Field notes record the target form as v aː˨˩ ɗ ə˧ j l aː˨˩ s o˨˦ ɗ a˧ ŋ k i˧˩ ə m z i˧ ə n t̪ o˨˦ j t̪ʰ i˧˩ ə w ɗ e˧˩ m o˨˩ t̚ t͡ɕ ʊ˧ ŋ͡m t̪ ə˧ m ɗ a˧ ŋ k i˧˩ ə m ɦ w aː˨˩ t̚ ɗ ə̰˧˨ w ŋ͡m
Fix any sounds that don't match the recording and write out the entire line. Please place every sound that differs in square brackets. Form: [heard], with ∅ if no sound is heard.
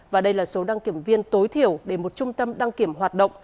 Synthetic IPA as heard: v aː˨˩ ɗ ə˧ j l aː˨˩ s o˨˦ ɗ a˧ ŋ k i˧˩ ə m [v] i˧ ə n t̪ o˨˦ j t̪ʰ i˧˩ ə w ɗ e˧˩ m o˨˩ t̚ t͡ɕ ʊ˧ ŋ͡m t̪ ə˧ m ɗ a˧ ŋ k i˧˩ ə m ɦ w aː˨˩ t̚ ɗ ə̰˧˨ w ŋ͡m